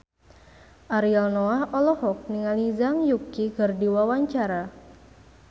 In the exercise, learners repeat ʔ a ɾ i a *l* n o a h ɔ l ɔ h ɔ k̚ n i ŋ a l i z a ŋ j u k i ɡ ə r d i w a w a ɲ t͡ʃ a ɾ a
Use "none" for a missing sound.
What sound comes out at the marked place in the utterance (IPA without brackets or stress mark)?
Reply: l